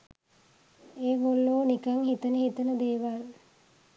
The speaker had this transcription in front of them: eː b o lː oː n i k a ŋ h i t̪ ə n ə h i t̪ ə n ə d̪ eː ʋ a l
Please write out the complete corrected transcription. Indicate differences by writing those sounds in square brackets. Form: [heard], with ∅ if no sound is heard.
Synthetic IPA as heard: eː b o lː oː n i k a ŋ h i t̪ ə n ə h i t̪ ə n ə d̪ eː ʋ a l